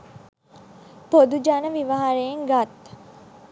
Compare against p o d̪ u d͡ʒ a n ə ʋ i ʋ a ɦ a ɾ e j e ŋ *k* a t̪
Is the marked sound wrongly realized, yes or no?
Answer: yes